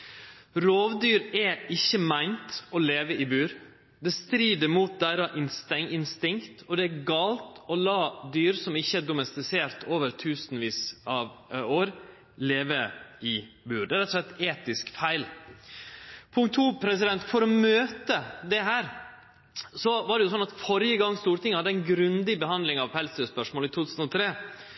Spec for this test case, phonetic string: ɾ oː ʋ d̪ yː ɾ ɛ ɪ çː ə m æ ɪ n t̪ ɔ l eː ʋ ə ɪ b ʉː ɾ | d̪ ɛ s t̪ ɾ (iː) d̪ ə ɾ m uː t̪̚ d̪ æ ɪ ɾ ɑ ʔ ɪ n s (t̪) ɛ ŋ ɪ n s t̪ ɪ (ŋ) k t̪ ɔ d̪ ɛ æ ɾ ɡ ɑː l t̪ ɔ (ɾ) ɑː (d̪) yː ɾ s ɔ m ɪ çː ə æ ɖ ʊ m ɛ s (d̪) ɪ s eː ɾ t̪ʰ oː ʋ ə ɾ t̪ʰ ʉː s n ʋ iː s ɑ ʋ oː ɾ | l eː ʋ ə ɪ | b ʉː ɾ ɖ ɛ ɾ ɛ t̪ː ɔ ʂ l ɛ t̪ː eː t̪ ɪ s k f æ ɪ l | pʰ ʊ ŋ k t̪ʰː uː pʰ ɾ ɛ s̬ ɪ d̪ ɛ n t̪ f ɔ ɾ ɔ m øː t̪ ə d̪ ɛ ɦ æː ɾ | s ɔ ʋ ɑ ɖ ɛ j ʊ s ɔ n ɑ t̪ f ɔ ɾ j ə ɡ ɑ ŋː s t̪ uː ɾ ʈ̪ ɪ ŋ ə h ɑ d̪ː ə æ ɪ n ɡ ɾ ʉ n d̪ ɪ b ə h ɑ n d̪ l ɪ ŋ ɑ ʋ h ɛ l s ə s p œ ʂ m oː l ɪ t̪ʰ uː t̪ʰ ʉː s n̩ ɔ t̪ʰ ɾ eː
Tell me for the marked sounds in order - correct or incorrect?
correct, correct, correct, incorrect: l, correct, incorrect: t̪

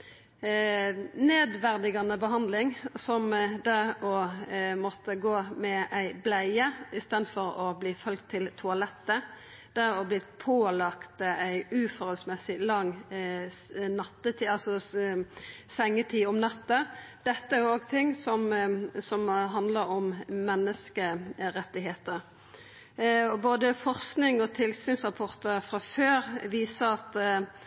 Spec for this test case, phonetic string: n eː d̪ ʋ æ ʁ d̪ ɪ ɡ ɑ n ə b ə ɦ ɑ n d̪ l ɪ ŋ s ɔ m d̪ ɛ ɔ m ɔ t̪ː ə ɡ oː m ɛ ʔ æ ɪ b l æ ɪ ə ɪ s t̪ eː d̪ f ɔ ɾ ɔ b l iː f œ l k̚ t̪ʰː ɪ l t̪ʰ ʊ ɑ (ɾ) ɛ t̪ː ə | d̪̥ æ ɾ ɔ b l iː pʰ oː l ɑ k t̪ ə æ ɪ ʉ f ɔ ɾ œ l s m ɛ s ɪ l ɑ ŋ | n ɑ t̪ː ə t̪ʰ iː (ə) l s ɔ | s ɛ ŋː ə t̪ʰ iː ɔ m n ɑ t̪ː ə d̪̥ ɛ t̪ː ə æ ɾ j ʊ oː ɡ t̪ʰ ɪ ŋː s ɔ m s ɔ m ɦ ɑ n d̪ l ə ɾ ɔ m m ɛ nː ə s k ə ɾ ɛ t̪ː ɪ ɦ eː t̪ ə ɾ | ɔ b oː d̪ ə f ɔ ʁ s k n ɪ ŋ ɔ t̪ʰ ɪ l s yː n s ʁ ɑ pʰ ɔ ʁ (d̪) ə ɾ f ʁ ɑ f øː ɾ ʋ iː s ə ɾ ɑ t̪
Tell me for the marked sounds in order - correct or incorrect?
incorrect: l, incorrect: ɑ, incorrect: t̪

